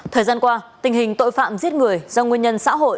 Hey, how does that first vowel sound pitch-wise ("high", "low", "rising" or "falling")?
low